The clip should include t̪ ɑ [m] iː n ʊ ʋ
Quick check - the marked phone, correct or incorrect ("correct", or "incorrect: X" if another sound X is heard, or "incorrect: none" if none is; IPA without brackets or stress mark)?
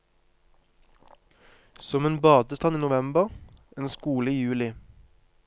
incorrect: n